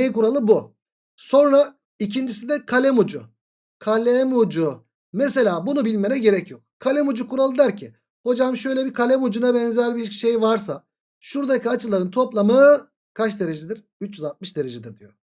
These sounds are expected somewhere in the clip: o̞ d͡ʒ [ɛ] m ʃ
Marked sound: incorrect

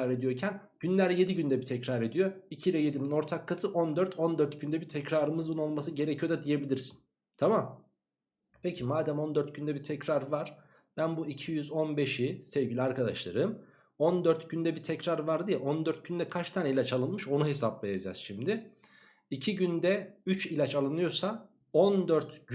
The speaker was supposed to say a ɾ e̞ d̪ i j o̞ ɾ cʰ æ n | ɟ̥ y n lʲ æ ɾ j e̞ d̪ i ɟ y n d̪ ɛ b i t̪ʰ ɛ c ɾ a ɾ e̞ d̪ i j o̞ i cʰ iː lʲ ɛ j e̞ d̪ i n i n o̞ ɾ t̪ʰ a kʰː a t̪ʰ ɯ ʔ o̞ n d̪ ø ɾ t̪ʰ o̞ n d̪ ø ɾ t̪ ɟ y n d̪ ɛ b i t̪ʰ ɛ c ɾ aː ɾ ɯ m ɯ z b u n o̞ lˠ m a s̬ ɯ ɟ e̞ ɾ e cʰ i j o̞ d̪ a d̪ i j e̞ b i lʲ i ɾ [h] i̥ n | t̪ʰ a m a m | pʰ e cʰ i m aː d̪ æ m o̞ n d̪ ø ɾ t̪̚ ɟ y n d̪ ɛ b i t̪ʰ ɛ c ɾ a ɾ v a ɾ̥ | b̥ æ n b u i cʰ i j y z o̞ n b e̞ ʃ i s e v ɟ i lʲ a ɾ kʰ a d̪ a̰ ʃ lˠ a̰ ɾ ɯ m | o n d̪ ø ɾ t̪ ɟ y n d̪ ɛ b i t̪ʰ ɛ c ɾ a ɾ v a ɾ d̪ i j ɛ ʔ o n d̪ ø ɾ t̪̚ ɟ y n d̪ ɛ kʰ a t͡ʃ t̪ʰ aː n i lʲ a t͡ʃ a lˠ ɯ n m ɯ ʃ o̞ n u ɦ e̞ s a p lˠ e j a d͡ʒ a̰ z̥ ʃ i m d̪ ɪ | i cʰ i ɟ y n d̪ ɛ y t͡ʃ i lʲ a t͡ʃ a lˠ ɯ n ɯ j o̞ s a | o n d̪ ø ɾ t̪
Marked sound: incorrect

